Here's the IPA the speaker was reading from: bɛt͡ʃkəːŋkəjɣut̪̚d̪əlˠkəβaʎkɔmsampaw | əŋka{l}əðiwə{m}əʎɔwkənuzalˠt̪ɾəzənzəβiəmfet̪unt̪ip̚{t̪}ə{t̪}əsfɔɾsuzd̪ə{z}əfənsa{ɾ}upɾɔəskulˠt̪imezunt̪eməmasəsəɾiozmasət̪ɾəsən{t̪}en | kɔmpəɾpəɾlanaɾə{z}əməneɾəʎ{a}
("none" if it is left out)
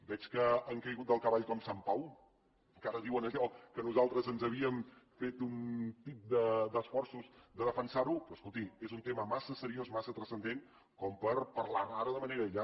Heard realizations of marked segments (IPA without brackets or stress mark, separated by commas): ɾ, n, d̪, d̪, ð, ɾ, d̪, ð, a